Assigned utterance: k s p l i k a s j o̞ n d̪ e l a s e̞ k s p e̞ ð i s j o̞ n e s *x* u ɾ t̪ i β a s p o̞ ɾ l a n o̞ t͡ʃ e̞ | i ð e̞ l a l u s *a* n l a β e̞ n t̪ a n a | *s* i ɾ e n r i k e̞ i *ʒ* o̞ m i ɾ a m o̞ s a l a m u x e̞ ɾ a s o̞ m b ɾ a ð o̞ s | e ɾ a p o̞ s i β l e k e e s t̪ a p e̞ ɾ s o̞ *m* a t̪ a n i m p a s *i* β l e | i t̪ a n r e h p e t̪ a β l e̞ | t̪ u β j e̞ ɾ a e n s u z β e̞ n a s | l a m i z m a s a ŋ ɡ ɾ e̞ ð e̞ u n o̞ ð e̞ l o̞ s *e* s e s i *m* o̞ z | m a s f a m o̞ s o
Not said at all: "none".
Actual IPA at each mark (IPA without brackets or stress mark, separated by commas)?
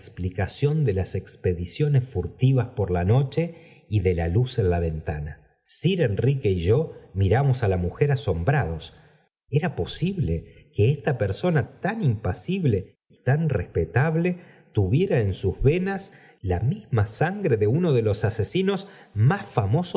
f, e, s, ʒ, n, i, a, n